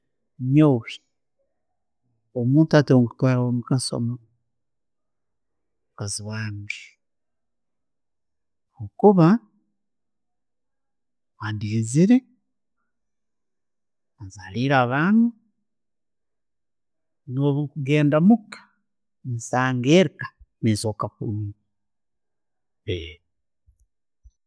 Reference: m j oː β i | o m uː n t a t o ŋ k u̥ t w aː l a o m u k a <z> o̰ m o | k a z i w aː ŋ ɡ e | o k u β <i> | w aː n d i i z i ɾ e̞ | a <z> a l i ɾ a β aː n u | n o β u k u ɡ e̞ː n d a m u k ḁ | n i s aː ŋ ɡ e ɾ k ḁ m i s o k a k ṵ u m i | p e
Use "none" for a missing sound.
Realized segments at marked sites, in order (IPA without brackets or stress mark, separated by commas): s, a, z